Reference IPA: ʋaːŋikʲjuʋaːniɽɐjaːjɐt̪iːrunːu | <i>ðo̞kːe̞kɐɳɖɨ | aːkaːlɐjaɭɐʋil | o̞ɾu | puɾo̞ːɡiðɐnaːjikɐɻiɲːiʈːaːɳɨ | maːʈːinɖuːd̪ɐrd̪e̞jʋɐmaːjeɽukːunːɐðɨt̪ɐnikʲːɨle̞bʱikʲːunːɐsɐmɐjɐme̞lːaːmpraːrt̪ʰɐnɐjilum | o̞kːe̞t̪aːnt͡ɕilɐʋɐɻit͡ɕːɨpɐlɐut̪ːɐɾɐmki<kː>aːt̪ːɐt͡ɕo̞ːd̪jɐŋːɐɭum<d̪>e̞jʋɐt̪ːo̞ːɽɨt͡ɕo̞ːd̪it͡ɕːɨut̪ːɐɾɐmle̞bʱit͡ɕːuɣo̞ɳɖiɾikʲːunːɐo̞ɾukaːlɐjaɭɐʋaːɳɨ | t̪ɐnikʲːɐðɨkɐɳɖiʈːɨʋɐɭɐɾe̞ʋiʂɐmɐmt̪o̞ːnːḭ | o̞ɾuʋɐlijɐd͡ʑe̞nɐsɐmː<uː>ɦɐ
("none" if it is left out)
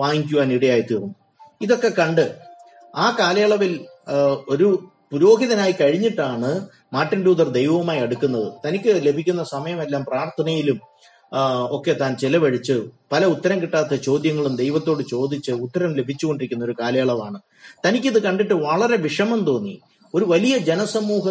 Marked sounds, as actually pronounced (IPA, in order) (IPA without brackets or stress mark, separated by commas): i, ʈː, d̪, uː